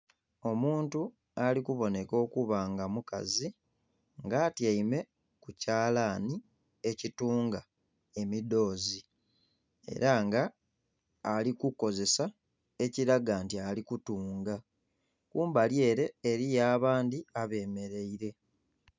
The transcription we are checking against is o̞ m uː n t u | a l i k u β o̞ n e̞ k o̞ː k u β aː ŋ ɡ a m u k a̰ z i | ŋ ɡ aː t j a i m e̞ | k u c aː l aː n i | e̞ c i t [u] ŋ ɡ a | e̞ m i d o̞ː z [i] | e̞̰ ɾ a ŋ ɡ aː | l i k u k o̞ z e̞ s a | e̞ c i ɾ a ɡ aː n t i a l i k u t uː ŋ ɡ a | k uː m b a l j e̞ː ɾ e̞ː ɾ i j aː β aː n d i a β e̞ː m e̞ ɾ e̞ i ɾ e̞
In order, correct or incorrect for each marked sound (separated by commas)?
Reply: incorrect, correct